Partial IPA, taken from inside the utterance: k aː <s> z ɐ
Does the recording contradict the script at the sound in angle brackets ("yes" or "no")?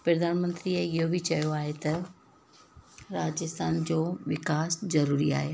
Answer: no